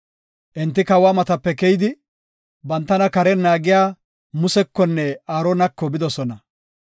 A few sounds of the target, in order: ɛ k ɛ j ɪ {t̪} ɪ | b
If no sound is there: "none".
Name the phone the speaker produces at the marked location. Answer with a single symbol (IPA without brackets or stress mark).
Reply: d̪